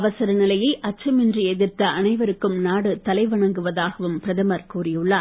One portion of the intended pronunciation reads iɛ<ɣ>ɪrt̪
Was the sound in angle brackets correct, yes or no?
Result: no